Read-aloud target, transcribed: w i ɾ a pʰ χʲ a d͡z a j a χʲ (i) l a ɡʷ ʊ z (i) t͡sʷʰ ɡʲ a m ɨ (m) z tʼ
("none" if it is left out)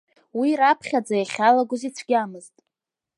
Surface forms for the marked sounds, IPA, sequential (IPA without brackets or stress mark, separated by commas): a, i, none